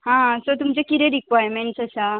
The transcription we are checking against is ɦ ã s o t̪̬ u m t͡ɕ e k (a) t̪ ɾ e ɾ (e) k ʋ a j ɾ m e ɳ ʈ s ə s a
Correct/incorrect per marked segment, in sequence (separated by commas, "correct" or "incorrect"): incorrect, incorrect